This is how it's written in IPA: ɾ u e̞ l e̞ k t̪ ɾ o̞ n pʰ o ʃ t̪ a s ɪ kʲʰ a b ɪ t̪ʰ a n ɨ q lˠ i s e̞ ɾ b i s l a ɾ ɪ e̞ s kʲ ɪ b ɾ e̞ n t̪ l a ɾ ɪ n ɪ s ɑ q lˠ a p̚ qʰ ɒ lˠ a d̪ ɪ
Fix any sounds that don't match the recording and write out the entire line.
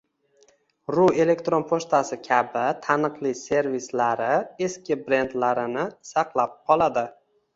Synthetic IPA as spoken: ɾ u e̞ l e̞ k t̪ ɾ o̞ n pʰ o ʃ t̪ a s ɪ kʲʰ a b ɪ t̪ʰ a n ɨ q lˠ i s e̞ ɾ v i s l a ɾ ɪ e̞ s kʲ ɪ b ɾ e̞ n d̪ l a ɾ ɪ n ɪ s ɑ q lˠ a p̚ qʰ ɒ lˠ a d̪ ɪ

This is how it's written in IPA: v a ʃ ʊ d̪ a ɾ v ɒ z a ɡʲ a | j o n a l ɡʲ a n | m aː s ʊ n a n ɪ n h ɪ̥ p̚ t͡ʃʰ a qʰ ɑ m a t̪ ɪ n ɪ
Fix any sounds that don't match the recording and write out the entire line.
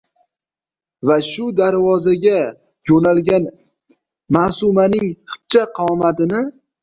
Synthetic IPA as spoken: v a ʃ ʊ d̪ a ɾ v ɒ z a ɡʲ a | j o n a l ɡʲ a n | m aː s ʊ m a n ɪ ŋ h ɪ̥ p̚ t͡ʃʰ a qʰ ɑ m a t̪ ɪ n ɪ

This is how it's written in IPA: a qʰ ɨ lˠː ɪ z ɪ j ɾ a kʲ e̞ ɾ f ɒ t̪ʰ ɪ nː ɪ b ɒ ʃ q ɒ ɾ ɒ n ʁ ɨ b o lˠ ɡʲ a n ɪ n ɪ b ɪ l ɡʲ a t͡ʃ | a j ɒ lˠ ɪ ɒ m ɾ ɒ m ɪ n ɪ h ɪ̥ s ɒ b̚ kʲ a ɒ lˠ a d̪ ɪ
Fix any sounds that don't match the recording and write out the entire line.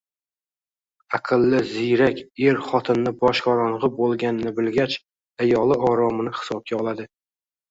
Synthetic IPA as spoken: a qʰ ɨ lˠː ɪ z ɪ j ɾ a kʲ e̞ ɾ χ ɒ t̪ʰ ɪ nː ɪ b ɒ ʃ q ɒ ɾ ɒ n ʁ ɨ b o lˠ ɡʲ a n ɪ n ɪ b ɪ l ɡʲ a t͡ʃ | a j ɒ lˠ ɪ ɒ ɾ ɒ m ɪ n ɪ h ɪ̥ s ɒ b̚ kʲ a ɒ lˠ a d̪ ɪ

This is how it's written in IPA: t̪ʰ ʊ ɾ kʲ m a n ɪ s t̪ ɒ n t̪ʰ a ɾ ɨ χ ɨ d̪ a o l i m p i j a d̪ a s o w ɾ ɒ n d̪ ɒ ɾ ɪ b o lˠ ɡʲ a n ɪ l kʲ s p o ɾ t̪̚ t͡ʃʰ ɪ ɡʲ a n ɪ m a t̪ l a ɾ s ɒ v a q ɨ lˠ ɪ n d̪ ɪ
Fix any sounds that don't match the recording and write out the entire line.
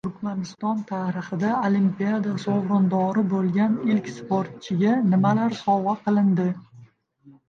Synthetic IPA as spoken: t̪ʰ ʊ ɾ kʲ m a n ɪ s t̪ ɒ n t̪ʰ a ɾ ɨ χ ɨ d̪ a o l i m p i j a d̪ a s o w ɾ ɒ n d̪ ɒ ɾ ɪ b o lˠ ɡʲ a n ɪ l kʲ s p o ɾ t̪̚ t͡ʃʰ ɪ ɡʲ a n ɪ m a l a ɾ s ɒ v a q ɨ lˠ ɪ n d̪ ɪ

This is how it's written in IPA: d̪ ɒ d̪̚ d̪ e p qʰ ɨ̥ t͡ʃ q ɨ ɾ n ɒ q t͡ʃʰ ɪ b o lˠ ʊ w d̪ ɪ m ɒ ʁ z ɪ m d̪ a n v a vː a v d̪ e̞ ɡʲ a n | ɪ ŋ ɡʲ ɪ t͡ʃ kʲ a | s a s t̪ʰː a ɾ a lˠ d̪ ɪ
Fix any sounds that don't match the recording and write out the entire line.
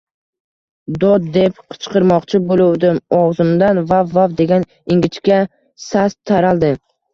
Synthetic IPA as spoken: d̪ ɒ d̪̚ d̪ e p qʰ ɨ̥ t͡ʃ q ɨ ɾ m ɒ q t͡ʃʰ ɪ b o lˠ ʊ w d̪ ɪ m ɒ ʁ z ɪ m d̪ a n v a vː a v d̪ e̞ ɡʲ a n | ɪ ŋ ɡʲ ɪ t͡ʃ kʲ a | s a s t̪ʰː a ɾ a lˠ d̪ ɪ

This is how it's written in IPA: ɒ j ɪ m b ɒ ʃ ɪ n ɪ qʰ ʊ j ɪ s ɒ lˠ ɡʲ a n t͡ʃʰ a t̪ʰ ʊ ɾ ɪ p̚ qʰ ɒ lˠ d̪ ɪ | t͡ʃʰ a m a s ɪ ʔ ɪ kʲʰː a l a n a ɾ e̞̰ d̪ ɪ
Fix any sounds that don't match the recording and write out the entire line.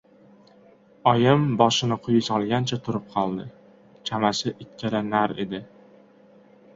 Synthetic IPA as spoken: ɒ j ɪ m b ɒ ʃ ɪ n ɪ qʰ ʊ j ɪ s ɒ lˠ ɡʲ a n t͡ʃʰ a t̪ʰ ʊ ɾ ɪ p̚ qʰ ɒ lˠ d̪ ɪ | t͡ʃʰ a m a s ɪ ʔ ɪ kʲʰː a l a n a ɾ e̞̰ d̪ ɪ

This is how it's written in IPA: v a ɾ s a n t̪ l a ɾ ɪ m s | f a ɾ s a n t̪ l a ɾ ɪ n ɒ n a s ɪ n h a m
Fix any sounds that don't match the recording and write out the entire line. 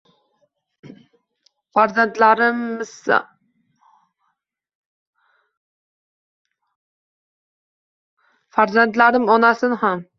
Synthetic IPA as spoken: f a ɾ z a n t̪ l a ɾ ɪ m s | f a ɾ z a n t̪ l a ɾ ɪ m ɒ n a s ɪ n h a m

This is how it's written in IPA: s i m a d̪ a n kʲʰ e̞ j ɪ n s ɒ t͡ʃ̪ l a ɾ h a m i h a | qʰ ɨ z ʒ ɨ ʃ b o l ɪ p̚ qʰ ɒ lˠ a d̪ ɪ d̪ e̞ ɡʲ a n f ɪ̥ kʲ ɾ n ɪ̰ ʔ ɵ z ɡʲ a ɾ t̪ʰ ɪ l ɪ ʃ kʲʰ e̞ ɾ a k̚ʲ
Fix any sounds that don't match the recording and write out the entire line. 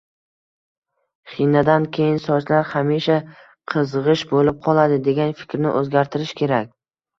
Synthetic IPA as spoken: χ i n a d̪ a n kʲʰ e̞ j ɪ n s ɒ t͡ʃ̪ l a ɾ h a m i ʃ a | qʰ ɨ z ʁ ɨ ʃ b o l ɪ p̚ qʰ ɒ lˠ a d̪ ɪ d̪ e̞ ɡʲ a n f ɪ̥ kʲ ɾ n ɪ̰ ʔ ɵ z ɡʲ a ɾ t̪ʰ ɪ ɾ ɪ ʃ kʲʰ e̞ ɾ a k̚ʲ

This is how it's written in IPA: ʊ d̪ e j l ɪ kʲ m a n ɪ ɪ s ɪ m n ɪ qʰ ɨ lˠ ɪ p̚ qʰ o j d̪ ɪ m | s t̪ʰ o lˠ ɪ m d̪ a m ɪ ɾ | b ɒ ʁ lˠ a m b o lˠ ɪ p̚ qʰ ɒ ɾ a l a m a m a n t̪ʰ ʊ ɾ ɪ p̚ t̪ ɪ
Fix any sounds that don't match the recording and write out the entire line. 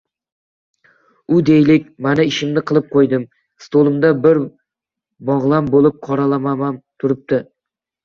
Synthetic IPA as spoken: ʊ d̪ e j l ɪ kʲ m a n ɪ ɪ ʃ ɪ m n ɪ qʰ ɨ lˠ ɪ p̚ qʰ o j d̪ ɪ m | s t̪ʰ o lˠ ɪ m d̪ a b ɪ ɾ | b ɒ ʁ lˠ a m b o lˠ ɪ p̚ qʰ ɒ ɾ a l a m a m a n t̪ʰ ʊ ɾ ɪ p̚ t̪ ɪ

